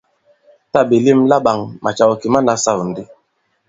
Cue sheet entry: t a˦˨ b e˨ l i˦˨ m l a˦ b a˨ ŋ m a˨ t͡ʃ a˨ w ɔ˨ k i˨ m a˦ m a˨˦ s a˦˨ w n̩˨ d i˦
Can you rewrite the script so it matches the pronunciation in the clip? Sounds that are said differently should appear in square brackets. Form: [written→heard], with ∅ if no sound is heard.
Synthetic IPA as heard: t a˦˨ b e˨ l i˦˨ m l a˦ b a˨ ŋ m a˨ t͡ʃ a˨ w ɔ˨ k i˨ m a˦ [m→n] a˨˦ s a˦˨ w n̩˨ d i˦